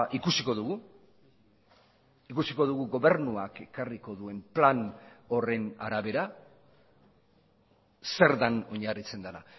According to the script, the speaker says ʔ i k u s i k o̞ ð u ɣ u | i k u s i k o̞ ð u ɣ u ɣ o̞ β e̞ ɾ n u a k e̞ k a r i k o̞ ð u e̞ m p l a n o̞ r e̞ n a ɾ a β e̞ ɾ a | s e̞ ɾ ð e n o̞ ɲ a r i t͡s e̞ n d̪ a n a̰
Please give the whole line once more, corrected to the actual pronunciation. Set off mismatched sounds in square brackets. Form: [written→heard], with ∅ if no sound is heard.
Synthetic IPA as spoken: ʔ i k u s i k o̞ ð u ɣ u | i k u s i k o̞ ð u ɣ u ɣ o̞ β e̞ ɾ n u a k e̞ k a r i k o̞ ð u e̞ m p l a n o̞ r e̞ n a ɾ a β e̞ ɾ a | s e̞ ɾ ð [e→a] n o̞ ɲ a r i t͡s e̞ n d̪ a n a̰

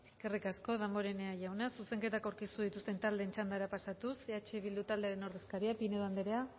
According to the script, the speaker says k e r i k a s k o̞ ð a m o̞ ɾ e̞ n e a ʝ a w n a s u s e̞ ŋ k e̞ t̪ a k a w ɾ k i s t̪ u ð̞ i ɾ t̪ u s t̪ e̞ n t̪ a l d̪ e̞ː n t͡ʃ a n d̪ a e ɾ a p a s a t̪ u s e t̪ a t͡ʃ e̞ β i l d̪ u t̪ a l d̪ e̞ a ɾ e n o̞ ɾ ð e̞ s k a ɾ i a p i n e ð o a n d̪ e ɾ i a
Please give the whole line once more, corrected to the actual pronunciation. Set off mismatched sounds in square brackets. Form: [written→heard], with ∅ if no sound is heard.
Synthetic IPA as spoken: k e r i k a s k o̞ ð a m o̞ ɾ e̞ n e a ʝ a w n a s u s e̞ ŋ k e̞ t̪ a k a w ɾ k i s t̪ u ð̞ i [ɾ→∅] t̪ u s t̪ e̞ n t̪ a l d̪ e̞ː n t͡ʃ a n d̪ a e ɾ a p a s a t̪ u s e [t̪→∅] a t͡ʃ e̞ β i l d̪ u t̪ a l d̪ e̞ a ɾ e n o̞ ɾ ð e̞ s k a ɾ i a p i n e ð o a n d̪ e ɾ [i→e] a

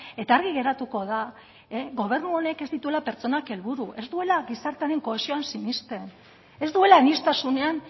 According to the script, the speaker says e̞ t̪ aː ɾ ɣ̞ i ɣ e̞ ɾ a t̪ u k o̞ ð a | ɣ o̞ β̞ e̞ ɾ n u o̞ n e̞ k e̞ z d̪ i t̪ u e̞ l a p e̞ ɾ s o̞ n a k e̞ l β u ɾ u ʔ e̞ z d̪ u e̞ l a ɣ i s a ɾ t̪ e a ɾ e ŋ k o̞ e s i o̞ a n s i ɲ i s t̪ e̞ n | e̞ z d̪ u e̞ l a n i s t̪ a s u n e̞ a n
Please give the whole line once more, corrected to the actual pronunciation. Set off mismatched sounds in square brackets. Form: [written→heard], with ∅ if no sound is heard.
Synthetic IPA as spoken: e̞ t̪ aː ɾ ɣ̞ i ɣ e̞ ɾ a t̪ u k o̞ ð a | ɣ o̞ β̞ e̞ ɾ n u o̞ n e̞ k e̞ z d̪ i t̪ u e̞ l a p e̞ ɾ [s→t͡s] o̞ n a k e̞ l β u ɾ u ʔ e̞ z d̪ u e̞ l a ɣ i s a ɾ t̪ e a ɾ e ŋ k o̞ e s i o̞ a n s i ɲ i s t̪ e̞ n | e̞ z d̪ u e̞ l a n i s t̪ a s u n e̞ a n

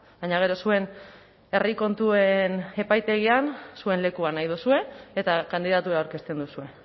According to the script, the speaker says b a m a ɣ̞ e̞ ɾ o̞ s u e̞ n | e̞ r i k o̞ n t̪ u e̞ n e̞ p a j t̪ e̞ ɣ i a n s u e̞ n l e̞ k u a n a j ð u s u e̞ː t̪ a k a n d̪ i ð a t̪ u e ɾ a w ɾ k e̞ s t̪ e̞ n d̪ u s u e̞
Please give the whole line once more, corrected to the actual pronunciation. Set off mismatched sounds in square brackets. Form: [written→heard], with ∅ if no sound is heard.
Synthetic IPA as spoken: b a [m→ɲ] a ɣ̞ e̞ ɾ o̞ s u e̞ n | e̞ r i k o̞ n t̪ u e̞ n e̞ p a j t̪ e̞ ɣ i a n s u e̞ n l e̞ k u a n a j ð u s u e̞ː t̪ a k a n d̪ i ð a t̪ u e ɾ a w ɾ k e̞ s t̪ e̞ n d̪ u s u e̞

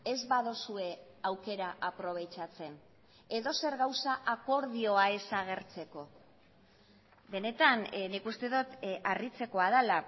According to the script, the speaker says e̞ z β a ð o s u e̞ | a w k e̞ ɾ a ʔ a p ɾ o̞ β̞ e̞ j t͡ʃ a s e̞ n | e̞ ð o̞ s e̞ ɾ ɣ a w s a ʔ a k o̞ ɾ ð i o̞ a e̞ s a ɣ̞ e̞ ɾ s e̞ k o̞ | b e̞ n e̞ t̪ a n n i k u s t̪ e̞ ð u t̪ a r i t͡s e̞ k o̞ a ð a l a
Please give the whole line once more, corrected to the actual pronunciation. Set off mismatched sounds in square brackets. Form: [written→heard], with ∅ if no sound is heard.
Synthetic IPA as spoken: e̞ z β a ð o s u e̞ | a w k e̞ ɾ a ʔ a p ɾ o̞ β̞ e̞ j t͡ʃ a [s→t͡s] e̞ n | e̞ ð o̞ s e̞ ɾ ɣ a w s a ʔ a k o̞ ɾ ð i o̞ a e̞ s a ɣ̞ e̞ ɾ [s→t͡s] e̞ k o̞ | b e̞ n e̞ t̪ a n n i k u s t̪ e̞ ð u t̪ a r i t͡s e̞ k o̞ a ð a l a

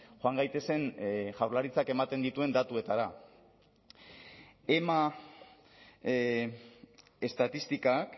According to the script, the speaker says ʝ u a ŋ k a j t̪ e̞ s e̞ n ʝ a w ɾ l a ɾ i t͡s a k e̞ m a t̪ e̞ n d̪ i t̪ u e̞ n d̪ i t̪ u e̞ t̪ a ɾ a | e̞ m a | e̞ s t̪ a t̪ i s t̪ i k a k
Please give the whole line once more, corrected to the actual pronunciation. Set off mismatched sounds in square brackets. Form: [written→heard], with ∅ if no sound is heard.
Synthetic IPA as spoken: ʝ [u→o] a ŋ [k→ɡ] a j t̪ e̞ s e̞ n ʝ a w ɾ l a ɾ i t͡s a k e̞ m a t̪ e̞ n d̪ i t̪ u e̞ n d̪ [i→a] t̪ u e̞ t̪ a ɾ a | e̞ m a | e̞ s t̪ a t̪ i s t̪ i k a k

